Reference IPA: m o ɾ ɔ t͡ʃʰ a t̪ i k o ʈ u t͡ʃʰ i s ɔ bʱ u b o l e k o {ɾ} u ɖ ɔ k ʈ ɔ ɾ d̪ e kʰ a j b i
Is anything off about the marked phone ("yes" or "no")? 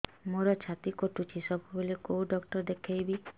yes